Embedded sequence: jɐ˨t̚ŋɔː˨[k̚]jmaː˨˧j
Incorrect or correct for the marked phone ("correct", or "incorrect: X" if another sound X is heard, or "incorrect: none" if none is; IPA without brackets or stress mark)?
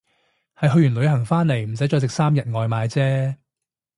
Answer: incorrect: none